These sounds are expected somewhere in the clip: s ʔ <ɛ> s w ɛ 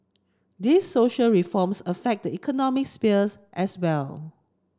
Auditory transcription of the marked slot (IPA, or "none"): ɛ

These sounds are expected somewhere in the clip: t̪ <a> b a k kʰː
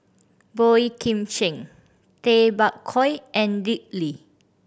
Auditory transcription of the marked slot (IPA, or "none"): e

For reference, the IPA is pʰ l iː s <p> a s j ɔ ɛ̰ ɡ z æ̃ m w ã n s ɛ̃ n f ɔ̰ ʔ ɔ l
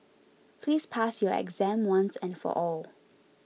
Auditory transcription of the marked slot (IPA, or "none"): pʰ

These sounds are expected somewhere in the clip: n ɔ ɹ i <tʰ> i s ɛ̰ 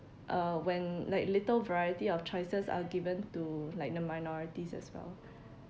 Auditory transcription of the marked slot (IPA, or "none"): t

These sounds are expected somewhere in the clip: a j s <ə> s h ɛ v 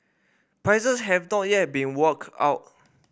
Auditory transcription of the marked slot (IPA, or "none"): ə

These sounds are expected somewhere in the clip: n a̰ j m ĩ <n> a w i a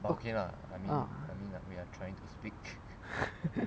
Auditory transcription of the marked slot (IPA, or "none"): n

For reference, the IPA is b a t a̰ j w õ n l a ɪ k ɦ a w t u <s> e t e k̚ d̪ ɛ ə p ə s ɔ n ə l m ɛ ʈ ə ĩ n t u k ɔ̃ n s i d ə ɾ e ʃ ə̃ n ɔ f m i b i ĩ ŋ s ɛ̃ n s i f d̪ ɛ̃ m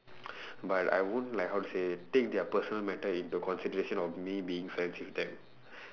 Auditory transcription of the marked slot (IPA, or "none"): s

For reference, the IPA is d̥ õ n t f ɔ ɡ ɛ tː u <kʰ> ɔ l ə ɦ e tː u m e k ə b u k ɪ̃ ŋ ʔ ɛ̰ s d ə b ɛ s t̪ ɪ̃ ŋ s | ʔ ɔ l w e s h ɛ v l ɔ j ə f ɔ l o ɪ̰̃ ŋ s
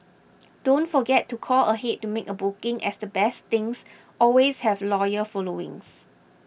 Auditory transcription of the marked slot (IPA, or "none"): kʰ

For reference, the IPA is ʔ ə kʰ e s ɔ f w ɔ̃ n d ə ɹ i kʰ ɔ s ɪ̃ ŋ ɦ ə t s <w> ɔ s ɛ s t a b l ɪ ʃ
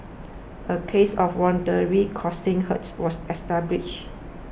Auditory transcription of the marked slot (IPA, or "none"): w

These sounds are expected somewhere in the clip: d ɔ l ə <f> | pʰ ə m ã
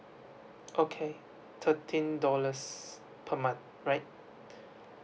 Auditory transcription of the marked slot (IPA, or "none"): s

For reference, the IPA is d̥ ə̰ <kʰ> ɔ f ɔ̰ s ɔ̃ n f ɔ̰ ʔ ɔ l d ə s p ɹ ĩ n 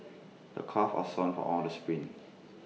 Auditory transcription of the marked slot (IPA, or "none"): kʰ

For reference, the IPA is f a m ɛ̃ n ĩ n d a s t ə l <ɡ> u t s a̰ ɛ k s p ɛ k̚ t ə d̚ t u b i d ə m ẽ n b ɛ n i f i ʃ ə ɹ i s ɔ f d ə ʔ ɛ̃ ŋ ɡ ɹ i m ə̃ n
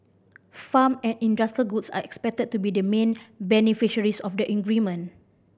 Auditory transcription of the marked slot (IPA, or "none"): ɡ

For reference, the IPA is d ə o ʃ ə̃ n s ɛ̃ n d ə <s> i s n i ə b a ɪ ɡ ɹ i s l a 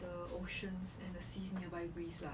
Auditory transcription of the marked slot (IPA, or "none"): s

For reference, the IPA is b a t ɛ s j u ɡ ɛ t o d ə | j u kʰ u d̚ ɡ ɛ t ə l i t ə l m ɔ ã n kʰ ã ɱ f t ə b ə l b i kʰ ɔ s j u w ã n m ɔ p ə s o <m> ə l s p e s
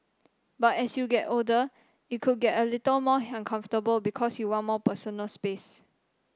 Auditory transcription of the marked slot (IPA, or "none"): n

